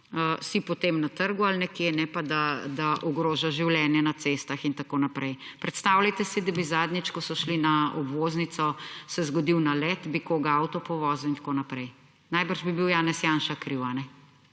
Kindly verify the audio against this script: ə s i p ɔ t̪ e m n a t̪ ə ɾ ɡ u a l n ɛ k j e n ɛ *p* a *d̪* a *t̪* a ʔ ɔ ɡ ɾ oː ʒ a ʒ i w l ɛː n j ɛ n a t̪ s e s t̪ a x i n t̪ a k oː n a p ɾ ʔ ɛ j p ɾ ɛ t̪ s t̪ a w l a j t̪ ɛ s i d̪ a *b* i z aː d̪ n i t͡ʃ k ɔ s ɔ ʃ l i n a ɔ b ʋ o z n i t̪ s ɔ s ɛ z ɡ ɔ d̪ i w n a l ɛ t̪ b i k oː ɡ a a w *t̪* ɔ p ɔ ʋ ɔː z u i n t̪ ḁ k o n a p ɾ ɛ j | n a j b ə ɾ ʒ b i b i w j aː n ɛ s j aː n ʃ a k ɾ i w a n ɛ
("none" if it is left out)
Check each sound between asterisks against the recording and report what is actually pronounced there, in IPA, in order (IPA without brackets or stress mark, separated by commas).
p, d̪, d̪, b, t̪